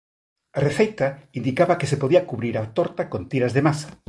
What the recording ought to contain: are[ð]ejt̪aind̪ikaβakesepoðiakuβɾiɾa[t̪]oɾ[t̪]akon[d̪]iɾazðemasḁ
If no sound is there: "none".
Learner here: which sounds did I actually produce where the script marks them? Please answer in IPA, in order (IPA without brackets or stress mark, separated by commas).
θ, t̪, t̪, t̪